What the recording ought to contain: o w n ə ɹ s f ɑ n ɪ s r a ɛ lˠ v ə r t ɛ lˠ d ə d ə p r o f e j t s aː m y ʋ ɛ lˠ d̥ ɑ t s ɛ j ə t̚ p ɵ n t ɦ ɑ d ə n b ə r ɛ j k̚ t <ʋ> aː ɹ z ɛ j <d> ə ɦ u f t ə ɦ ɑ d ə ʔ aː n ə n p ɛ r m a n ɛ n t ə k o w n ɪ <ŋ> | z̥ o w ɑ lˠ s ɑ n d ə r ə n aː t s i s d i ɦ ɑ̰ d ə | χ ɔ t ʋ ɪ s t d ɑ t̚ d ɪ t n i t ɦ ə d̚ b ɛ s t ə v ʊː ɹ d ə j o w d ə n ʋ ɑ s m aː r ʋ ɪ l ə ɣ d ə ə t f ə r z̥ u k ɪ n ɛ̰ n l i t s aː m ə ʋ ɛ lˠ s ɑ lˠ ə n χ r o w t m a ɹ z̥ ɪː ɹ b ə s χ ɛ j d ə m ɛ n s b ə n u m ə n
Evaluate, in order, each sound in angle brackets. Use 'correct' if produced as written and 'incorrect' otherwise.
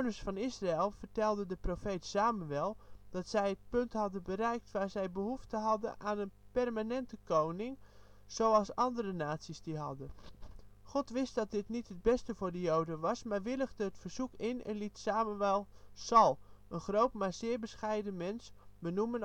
correct, incorrect, correct

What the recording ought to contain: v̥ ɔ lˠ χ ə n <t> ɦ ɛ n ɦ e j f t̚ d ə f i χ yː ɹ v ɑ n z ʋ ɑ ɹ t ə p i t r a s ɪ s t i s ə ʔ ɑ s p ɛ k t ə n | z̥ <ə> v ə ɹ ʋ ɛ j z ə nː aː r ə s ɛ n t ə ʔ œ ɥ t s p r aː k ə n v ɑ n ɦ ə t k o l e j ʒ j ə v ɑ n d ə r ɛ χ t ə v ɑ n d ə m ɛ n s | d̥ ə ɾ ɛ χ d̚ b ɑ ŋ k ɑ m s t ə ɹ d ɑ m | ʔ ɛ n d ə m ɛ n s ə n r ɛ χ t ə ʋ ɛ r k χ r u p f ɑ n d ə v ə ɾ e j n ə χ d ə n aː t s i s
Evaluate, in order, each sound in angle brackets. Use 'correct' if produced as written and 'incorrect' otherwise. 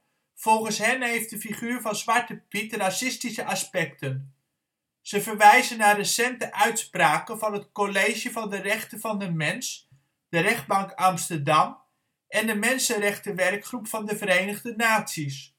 incorrect, correct

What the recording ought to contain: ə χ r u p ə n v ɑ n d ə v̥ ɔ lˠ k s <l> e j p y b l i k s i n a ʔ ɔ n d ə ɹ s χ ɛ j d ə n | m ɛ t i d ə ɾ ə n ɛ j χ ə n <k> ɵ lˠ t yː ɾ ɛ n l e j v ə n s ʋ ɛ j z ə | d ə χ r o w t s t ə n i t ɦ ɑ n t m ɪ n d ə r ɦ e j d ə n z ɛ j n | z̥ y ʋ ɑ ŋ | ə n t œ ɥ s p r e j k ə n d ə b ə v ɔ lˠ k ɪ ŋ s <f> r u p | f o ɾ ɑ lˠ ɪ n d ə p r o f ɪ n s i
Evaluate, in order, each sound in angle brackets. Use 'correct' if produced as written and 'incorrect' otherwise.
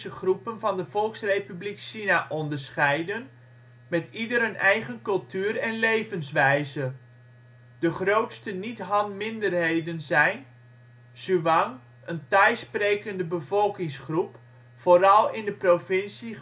incorrect, correct, incorrect

